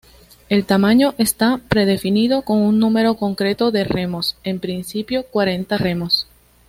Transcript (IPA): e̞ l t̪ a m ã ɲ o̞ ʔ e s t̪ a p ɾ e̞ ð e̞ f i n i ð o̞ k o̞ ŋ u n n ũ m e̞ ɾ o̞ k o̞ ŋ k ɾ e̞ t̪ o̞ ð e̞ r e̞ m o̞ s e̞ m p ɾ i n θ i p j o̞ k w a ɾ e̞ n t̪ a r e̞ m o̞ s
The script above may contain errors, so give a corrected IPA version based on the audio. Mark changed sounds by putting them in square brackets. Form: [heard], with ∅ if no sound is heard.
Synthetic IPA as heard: e̞ l t̪ a m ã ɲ o̞ ʔ e s t̪ a p ɾ e̞ ð e̞ f i n i ð o̞ k o̞ ŋ u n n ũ m e̞ ɾ o̞ k o̞ ŋ k ɾ e̞ t̪ o̞ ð e̞ r e̞ m o̞ s e̞ m p ɾ i n [s] i p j o̞ k w a ɾ e̞ n t̪ a r e̞ m o̞ s